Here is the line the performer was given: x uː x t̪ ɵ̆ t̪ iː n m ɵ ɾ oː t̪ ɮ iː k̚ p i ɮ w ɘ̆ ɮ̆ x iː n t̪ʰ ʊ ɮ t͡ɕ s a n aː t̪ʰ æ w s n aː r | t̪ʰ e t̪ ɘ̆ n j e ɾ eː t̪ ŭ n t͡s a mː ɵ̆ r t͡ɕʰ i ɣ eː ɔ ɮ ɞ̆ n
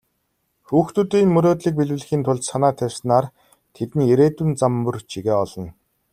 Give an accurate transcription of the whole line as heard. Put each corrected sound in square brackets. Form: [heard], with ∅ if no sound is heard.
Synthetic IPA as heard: x uː x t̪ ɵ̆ t̪ iː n m ɵ ɾ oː t̪ ɮ iː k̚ p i ɮ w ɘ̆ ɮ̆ x iː n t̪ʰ ʊ ɮ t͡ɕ s a n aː t̪ʰ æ w s n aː r | t̪ʰ e t̪ ɘ̆ n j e ɾ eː t̪ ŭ n t͡s a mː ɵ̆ r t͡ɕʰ i ɣ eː ɔ ɮ ɞ̆ n